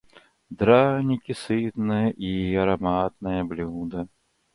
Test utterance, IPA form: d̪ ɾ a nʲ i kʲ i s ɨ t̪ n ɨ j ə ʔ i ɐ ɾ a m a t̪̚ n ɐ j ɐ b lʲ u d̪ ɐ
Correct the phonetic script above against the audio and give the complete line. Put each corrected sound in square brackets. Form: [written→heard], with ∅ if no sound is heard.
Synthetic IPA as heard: d̪ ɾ a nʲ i kʲ i s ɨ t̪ n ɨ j [ə→ɐ] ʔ i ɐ ɾ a m a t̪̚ n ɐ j ɐ b lʲ u d̪ ɐ

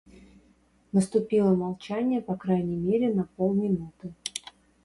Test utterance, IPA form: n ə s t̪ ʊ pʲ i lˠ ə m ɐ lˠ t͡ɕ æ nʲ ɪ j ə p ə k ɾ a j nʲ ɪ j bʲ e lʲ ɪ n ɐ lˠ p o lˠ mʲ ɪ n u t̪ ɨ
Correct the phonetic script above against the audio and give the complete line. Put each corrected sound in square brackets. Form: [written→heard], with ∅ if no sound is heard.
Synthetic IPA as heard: n ə s t̪ ʊ pʲ i lˠ ə m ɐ lˠ t͡ɕ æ nʲ ɪ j ə p [ə→ɐ] k ɾ a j nʲ ɪ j [bʲ→mʲ] e [lʲ→ɾʲ] ɪ n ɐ [lˠ→∅] p o lˠ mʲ ɪ n u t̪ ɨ

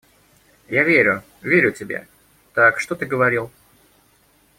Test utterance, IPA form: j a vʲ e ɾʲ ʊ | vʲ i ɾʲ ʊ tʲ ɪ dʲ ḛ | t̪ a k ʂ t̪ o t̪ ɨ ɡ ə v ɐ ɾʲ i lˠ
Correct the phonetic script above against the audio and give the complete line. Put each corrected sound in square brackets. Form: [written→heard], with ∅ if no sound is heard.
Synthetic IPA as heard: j a vʲ e ɾʲ ʊ | vʲ [i→e] ɾʲ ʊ tʲ ɪ [dʲ→bʲ] ḛ | t̪ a k ʂ t̪ o t̪ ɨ ɡ ə v ɐ ɾʲ i lˠ

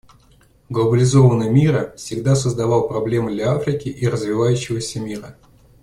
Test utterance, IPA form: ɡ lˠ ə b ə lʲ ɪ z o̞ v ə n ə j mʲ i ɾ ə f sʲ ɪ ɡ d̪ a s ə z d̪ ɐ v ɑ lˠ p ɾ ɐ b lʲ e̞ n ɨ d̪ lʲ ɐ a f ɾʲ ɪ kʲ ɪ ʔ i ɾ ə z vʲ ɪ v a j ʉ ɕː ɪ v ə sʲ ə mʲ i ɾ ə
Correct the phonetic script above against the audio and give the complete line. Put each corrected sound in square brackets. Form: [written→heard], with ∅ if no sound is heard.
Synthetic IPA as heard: ɡ lˠ ə b ə lʲ ɪ z o̞ v ə n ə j mʲ i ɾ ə f sʲ ɪ ɡ d̪ a s ə z d̪ ɐ v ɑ lˠ p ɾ ɐ b lʲ e̞ [n→m] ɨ d̪ lʲ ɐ a f ɾʲ ɪ kʲ ɪ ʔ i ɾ ə z vʲ ɪ v a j ʉ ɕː ɪ v ə sʲ ə mʲ i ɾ ə

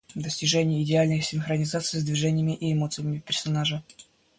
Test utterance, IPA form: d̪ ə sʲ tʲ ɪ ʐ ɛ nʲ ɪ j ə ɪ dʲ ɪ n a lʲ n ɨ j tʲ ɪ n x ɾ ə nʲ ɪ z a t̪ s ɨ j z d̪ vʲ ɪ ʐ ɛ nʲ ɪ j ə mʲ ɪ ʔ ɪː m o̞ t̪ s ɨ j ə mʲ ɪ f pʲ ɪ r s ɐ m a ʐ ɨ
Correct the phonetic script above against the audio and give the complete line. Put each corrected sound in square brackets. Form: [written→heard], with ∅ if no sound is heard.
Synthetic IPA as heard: d̪ ə sʲ tʲ ɪ ʐ ɛ nʲ ɪ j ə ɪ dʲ ɪ [n→∅] a lʲ n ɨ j [tʲ→sʲ] ɪ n x ɾ ə nʲ ɪ z a t̪ s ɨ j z d̪ vʲ ɪ ʐ ɛ nʲ ɪ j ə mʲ ɪ ʔ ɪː m o̞ t̪ s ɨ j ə mʲ ɪ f pʲ ɪ r s ɐ [m→n] a ʐ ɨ

